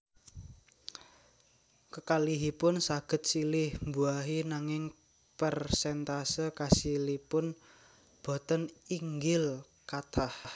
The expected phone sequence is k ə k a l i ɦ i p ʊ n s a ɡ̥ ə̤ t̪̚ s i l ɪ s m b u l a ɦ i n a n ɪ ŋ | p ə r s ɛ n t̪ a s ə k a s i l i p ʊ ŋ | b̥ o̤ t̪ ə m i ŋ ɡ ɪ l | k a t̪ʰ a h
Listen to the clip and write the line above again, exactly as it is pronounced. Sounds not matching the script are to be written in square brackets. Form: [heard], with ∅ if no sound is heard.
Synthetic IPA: k ə k a l i ɦ i p ʊ n s a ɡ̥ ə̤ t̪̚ s i l ɪ [h] m b u [∅] a ɦ i n a [ŋ] ɪ ŋ | p ə r s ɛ n t̪ a s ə k a s i l i p ʊ [n] | b̥ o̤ t̪ ə [n] i ŋ ɡ ɪ l | k a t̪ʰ a h